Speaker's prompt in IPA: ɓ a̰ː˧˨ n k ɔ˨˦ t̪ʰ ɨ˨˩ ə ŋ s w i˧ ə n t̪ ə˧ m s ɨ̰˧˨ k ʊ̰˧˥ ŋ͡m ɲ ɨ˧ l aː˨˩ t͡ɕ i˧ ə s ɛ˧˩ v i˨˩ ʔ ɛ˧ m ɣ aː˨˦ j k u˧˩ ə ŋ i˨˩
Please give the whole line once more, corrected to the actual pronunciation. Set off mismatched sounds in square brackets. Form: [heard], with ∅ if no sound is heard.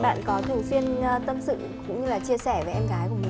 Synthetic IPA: ɓ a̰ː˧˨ n k ɔ˨˦ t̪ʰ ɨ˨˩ ə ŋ s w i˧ ə n t̪ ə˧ m s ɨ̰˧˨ k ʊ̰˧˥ ŋ͡m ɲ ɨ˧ l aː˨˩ t͡ɕ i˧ ə s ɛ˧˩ v [e˨˩] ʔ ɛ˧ m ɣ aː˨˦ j k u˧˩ ə [m] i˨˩